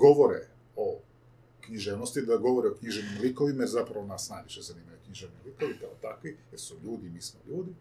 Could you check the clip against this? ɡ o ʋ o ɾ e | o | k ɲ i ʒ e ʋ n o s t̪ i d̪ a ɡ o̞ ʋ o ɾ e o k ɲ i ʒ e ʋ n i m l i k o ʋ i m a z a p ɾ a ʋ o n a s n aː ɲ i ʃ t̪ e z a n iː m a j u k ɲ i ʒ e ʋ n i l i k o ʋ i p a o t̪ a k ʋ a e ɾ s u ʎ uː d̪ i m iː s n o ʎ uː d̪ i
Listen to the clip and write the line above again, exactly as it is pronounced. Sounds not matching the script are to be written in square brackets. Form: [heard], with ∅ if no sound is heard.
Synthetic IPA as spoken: ɡ o ʋ o ɾ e | o | k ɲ i ʒ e ʋ n o s t̪ i d̪ a ɡ o̞ ʋ o ɾ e o k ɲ i ʒ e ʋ n i m l i k o ʋ i m a z a p ɾ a ʋ o n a s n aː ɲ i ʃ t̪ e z a n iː m a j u k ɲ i ʒ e ʋ n i l i k o ʋ i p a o t̪ a k ʋ [i] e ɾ s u ʎ uː d̪ i m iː s [m] o ʎ uː d̪ i